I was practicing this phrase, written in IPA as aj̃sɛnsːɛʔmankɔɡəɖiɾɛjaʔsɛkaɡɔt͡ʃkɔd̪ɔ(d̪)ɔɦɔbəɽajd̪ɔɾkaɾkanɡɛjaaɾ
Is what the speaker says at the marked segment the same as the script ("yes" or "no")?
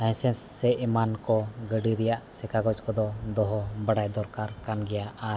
yes